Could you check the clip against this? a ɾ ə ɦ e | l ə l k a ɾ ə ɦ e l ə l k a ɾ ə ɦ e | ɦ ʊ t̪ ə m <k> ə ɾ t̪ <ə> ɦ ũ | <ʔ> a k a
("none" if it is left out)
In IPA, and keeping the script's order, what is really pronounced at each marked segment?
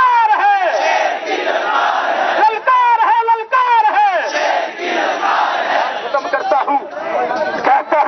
k, a, k

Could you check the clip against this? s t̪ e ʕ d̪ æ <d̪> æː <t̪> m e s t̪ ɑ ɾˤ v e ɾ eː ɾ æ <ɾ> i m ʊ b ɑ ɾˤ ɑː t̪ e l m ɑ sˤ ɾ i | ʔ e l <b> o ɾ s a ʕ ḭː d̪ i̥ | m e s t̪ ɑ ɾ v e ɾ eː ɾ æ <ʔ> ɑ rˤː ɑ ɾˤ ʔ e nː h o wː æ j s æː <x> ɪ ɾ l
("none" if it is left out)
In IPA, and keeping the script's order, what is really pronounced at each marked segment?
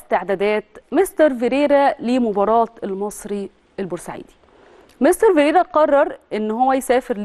d̪, t̪, l, b, q, f

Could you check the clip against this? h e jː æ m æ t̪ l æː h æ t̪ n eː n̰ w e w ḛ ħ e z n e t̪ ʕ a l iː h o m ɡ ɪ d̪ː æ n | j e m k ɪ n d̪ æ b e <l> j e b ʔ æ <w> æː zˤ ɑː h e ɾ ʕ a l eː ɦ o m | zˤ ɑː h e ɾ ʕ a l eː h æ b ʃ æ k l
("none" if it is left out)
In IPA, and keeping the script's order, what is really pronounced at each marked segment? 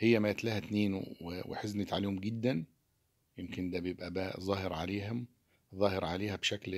none, b

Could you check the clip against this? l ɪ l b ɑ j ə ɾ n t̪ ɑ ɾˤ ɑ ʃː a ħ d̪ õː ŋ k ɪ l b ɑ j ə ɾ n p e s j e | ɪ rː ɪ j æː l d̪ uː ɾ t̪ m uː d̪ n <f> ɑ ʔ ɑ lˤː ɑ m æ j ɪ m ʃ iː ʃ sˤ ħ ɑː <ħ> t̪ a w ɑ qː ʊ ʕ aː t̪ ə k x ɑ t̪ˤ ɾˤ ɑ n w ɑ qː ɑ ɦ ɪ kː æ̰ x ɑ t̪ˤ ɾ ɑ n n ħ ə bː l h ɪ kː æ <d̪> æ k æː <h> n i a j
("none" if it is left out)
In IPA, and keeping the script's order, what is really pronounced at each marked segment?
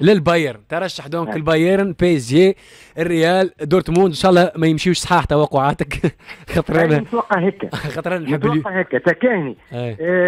ʃ, ħ, t̪, h

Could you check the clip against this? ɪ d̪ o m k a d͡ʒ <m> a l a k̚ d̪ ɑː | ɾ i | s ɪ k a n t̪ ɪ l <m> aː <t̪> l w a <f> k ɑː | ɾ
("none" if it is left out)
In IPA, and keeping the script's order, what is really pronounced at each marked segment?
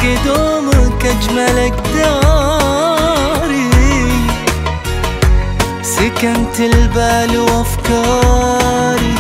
m, b, none, f

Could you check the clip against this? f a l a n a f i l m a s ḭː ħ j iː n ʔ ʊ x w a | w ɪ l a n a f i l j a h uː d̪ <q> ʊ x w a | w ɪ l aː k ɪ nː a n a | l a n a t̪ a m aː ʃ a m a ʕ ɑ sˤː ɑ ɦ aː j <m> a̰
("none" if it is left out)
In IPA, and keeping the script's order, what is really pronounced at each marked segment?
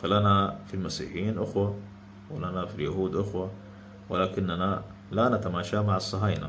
ʔ, n

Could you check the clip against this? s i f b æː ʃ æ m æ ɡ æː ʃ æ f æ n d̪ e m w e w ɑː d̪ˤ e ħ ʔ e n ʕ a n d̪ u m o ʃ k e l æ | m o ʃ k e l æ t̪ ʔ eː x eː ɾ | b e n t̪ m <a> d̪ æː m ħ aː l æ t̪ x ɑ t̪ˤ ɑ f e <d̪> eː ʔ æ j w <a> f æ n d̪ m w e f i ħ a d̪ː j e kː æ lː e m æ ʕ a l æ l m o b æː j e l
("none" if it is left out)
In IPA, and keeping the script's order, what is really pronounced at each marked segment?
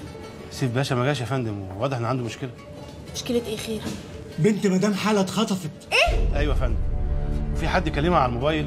æ, t̪, æ

